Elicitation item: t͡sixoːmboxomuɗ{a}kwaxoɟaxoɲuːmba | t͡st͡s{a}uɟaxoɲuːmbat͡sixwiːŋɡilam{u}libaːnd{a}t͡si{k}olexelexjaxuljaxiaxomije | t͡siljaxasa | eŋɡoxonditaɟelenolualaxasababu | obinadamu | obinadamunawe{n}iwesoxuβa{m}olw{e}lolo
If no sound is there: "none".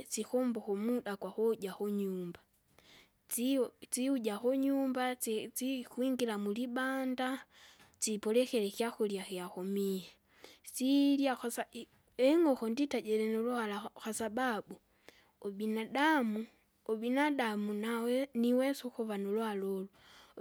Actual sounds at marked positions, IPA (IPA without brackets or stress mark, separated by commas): a, i, u, a, p, n, n, a